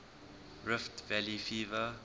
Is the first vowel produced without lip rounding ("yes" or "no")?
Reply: yes